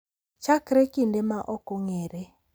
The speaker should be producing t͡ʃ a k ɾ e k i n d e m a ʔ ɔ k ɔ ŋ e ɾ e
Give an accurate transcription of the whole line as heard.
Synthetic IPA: t͡ʃ a k ɾ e k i n d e m a ʔ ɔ k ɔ ŋ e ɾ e